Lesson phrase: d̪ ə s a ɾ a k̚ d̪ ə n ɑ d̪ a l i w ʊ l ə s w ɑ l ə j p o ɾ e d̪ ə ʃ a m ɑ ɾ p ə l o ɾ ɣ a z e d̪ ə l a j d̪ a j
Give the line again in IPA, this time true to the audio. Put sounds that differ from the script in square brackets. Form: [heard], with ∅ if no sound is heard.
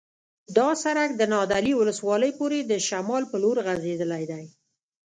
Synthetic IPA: d̪ [ɑ] s a ɾ a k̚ d̪ ə n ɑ d̪ a l i w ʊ l ə s w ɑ l ə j p o ɾ e d̪ ə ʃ a m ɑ [l] p ə l o ɾ ɣ a z e d̪ ə l a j d̪ a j